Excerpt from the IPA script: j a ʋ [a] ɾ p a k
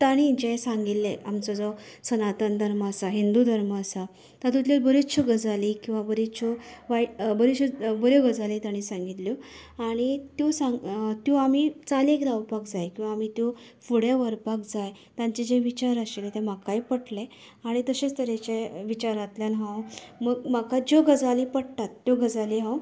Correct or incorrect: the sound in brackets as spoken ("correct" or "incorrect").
incorrect